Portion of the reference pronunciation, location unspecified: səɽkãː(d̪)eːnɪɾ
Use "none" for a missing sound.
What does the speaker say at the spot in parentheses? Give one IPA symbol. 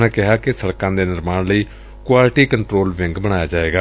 d̪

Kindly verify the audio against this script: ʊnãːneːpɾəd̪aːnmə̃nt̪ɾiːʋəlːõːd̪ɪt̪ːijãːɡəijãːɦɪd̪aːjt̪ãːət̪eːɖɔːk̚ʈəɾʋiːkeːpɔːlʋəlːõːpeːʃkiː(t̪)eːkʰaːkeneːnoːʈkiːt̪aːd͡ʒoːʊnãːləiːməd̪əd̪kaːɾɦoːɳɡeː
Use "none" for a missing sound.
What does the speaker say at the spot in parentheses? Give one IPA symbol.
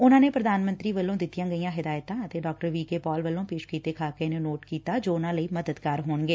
t̪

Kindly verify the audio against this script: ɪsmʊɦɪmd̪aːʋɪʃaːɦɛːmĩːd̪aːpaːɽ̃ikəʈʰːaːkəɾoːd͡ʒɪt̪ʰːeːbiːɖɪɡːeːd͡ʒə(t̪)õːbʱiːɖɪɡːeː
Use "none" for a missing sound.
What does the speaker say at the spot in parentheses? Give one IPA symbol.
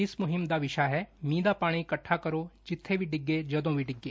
d̪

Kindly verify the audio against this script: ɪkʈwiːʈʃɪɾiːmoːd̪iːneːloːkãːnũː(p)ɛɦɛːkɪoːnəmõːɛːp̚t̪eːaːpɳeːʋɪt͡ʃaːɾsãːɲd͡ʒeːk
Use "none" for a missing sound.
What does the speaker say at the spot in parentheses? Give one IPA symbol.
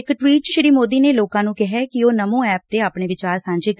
k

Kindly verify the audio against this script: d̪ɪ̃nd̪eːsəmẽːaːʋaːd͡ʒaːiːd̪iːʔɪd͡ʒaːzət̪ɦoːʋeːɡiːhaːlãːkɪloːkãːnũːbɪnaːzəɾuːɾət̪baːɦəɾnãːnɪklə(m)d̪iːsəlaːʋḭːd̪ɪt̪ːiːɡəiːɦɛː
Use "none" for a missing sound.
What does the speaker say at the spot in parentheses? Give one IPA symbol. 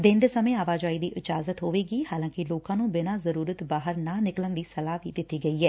n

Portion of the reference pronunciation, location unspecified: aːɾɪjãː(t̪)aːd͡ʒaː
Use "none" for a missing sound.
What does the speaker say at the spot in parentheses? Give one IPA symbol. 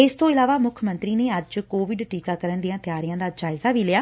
d̪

